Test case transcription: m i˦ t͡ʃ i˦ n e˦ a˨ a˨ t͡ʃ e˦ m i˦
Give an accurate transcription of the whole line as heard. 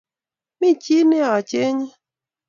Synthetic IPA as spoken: m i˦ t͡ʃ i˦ n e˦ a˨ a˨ t͡ʃ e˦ ɲ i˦